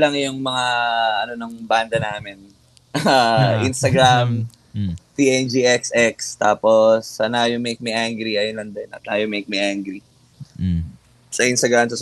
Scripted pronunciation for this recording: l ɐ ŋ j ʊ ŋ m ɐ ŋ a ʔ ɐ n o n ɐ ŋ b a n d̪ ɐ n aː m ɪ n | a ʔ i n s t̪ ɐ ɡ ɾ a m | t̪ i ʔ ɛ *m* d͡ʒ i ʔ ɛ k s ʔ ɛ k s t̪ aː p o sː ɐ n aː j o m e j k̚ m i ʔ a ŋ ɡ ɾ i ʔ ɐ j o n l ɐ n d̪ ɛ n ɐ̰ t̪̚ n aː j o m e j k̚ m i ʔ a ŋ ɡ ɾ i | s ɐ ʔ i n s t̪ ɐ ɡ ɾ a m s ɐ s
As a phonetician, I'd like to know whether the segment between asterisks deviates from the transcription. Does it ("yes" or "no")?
yes